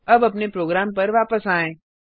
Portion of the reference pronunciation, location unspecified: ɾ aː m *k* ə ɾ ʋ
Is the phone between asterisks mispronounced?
yes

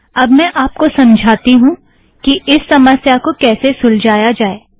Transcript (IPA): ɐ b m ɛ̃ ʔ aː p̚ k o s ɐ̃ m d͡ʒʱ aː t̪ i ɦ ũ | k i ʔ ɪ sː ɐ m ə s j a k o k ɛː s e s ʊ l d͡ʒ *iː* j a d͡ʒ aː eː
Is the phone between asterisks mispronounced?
yes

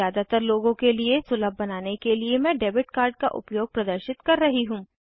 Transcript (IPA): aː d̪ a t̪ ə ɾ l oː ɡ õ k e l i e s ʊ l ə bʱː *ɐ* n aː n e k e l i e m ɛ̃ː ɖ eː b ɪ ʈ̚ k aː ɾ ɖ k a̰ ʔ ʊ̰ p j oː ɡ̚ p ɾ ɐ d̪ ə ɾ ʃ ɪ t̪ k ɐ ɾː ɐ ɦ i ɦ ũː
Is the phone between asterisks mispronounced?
no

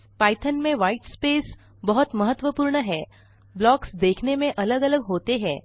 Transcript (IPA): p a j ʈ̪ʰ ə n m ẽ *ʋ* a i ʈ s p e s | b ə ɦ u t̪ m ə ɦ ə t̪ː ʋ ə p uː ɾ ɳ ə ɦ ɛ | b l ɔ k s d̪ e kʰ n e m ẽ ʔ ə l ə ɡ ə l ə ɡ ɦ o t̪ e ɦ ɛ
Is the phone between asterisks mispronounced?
no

